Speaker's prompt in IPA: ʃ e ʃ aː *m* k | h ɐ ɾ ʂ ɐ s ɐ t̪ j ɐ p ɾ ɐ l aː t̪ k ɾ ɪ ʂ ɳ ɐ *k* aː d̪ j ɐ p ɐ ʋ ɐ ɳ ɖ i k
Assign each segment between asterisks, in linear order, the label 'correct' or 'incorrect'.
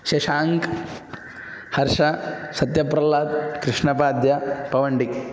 incorrect, incorrect

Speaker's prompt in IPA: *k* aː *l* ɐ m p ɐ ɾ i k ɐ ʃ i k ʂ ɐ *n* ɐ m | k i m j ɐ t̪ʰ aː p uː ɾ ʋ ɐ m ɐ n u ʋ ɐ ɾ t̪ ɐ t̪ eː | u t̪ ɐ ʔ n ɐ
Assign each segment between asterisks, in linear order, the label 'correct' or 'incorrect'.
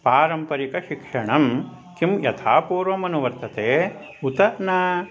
incorrect, incorrect, incorrect

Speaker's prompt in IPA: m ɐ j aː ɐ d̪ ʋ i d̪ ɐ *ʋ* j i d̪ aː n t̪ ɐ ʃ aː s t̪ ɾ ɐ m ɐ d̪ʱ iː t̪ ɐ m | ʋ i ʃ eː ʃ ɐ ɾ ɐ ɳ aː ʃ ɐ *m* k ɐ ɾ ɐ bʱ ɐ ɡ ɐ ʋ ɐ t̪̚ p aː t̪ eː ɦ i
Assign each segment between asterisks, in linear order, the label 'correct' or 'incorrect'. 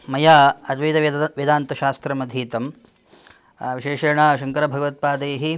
correct, incorrect

